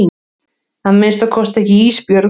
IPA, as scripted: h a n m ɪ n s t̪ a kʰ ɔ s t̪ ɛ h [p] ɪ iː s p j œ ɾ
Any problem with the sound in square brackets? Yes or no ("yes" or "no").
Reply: yes